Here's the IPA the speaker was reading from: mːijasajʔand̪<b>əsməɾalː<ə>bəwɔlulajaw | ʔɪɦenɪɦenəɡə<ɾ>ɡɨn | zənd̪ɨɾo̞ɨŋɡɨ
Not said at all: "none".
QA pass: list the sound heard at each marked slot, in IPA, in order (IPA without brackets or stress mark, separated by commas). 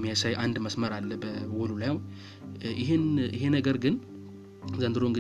m, ə, ɾ